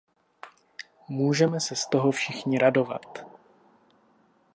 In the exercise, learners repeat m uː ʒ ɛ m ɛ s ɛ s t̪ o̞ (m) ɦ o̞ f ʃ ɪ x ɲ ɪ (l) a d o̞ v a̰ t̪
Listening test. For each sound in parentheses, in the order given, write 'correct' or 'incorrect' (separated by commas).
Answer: incorrect, incorrect